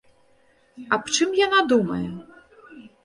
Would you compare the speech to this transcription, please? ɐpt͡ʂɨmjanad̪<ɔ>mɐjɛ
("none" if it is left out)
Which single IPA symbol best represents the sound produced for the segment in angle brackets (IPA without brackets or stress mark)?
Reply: u